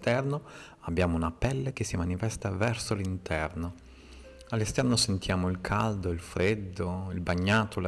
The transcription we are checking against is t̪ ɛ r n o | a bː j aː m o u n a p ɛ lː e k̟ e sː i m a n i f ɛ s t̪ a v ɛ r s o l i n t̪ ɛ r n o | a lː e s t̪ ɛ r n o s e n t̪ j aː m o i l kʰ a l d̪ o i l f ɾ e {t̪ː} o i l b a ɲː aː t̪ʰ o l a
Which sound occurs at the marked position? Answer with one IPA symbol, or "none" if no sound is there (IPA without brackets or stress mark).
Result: d̪ː